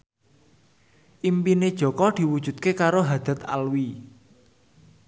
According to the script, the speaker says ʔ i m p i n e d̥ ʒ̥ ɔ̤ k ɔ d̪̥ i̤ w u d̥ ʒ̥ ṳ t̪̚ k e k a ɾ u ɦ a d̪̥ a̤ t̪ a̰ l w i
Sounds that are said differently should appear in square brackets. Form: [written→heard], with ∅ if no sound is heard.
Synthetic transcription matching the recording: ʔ i m p i n e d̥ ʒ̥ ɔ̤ k ɔ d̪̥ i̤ w u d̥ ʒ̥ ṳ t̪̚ k e k a ɾ [u→o] ɦ a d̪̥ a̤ t̪ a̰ l w i